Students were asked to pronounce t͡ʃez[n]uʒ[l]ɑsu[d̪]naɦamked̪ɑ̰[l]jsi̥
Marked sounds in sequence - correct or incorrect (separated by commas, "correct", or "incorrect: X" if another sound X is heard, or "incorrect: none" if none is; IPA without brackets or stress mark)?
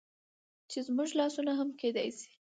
incorrect: m, correct, incorrect: none, incorrect: none